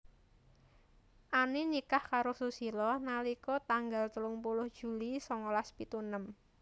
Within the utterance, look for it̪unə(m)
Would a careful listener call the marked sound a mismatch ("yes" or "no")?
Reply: no